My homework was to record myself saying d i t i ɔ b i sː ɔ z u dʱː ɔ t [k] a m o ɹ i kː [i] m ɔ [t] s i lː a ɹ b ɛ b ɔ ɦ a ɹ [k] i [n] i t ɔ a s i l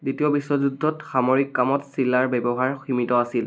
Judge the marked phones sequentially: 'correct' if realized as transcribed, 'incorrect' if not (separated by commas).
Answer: incorrect, incorrect, correct, incorrect, incorrect